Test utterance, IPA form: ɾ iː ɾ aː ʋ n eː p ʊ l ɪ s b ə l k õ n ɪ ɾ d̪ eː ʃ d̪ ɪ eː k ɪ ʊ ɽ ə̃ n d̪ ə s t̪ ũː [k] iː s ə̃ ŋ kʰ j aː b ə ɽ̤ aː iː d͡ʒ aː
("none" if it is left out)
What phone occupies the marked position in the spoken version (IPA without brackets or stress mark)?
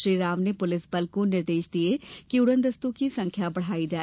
k